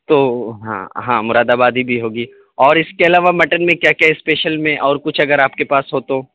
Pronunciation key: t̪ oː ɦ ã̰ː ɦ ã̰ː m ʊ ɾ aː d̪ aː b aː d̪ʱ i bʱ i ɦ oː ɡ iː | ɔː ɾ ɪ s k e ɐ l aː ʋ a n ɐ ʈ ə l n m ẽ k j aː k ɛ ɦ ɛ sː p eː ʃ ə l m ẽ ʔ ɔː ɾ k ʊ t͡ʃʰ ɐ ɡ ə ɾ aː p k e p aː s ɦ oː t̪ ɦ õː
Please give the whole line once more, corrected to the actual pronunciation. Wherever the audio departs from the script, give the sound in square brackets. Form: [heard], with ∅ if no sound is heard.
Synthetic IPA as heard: t̪ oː ɦ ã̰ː ɦ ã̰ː m ʊ ɾ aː d̪ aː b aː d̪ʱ i bʱ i ɦ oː ɡ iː | ɔː ɾ ɪ s k e ɐ l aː ʋ a [m] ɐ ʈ ə [∅] n m ẽ k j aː k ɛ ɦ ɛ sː p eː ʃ ə l m ẽ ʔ ɔː ɾ k ʊ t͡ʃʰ ɐ ɡ ə ɾ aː p k e p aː s ɦ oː t̪ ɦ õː